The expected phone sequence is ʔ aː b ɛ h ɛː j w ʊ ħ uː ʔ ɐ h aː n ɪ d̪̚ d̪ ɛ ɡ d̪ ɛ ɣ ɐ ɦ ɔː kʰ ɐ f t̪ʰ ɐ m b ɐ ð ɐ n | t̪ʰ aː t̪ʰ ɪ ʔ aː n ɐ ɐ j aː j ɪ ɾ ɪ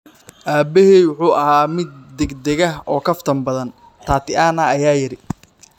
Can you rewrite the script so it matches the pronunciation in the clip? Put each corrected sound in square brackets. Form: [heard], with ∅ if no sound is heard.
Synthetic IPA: ʔ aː b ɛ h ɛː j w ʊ ħ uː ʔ ɐ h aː [m] ɪ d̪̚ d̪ ɛ ɡ d̪ ɛ ɣ ɐ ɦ ɔː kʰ ɐ f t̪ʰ ɐ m b ɐ ð ɐ n | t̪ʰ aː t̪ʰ ɪ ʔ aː n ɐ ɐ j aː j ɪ ɾ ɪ